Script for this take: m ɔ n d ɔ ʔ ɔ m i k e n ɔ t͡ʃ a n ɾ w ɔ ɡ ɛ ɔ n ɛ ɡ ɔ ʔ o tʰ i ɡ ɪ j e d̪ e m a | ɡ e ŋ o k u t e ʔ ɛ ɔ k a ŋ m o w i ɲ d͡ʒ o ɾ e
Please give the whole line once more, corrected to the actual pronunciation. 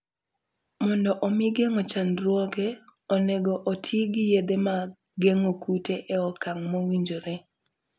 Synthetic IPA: m ɔ n d ɔ ʔ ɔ m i ɡ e ŋ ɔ t͡ʃ a n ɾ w ɔ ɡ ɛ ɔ n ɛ ɡ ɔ ʔ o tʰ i ɡ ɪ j e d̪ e m a | ɡ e ŋ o k u t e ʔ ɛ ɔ k a ŋ m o w i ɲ d͡ʒ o ɾ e